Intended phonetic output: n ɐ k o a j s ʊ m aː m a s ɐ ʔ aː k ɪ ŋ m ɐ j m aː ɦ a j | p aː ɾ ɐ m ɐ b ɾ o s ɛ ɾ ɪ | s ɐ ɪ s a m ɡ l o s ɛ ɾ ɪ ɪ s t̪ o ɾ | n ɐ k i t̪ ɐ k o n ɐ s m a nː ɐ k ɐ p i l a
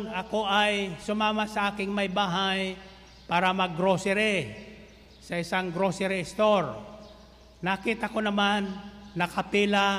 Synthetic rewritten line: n ɐ k o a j s ʊ m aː m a s ɐ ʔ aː k ɪ ŋ m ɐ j b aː ɦ a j | p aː ɾ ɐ m ɐ ɡ ɾ o s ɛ ɾ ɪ | s ɐ ɪ s a ŋ ɡ ɾ o s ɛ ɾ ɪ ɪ s t̪ o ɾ | n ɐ k i t̪ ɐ k o n ɐ m a nː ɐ k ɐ p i l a